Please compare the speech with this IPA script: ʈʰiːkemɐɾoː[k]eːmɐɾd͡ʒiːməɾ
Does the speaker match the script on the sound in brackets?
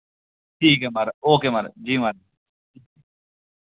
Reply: yes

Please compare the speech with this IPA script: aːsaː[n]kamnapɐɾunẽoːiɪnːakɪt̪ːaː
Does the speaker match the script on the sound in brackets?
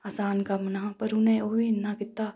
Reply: yes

